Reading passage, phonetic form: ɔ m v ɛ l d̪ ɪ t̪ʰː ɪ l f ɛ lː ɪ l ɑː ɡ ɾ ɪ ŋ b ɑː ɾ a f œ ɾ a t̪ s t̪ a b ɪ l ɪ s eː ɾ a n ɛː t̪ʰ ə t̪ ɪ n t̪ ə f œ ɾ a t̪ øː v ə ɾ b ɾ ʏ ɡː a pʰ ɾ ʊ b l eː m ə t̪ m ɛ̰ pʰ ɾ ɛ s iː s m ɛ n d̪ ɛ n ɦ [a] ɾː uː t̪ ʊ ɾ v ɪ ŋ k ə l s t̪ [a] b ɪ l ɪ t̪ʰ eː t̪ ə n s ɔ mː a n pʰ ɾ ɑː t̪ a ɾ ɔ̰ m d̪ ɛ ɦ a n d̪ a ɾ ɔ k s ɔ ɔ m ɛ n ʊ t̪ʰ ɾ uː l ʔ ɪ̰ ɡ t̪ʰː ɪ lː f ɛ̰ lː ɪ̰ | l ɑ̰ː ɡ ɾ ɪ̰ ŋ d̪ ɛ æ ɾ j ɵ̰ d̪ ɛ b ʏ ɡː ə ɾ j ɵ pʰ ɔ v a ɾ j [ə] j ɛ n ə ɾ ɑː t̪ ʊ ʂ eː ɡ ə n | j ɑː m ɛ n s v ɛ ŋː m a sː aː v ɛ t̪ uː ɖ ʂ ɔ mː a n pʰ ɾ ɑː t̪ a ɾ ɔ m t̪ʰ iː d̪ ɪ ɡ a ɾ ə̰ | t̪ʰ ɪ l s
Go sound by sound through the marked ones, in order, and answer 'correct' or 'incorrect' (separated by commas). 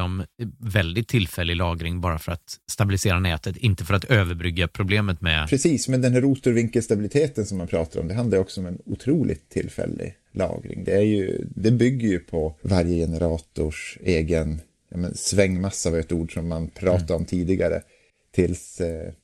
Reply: incorrect, correct, correct